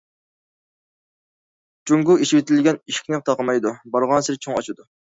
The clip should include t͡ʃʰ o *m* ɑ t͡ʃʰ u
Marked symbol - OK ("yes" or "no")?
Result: no